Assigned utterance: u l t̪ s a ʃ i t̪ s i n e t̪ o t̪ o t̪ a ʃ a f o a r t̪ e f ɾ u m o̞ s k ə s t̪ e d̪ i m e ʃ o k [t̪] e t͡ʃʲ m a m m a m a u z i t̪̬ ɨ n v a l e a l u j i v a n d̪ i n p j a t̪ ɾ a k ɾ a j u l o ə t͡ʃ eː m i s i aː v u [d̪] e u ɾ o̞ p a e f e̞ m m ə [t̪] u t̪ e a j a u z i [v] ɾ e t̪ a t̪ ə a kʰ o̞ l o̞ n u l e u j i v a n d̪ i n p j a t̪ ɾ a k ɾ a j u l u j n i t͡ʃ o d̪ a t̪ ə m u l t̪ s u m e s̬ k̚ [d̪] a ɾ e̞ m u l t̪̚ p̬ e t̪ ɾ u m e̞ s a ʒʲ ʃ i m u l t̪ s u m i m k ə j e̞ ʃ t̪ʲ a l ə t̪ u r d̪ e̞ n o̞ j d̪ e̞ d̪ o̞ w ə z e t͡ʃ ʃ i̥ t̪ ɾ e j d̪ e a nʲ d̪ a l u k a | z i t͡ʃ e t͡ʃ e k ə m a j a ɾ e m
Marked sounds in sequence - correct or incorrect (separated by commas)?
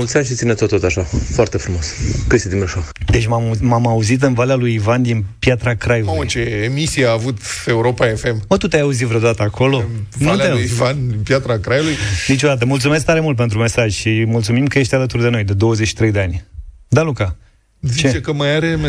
incorrect, incorrect, correct, correct, incorrect